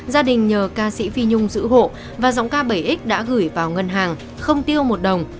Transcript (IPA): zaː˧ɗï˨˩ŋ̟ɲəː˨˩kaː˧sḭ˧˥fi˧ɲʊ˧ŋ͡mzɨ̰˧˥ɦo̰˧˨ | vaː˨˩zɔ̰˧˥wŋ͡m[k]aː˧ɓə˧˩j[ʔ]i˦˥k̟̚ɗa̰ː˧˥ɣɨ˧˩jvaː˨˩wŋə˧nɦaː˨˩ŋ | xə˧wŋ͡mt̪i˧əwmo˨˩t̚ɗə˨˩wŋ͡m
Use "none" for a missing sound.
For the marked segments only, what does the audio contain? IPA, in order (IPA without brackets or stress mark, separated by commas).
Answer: k, ʔ